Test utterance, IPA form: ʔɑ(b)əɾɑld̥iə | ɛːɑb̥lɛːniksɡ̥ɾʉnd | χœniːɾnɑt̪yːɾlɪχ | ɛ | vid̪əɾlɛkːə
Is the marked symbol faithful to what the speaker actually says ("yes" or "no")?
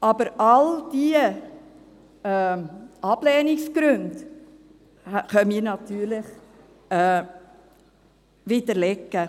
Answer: yes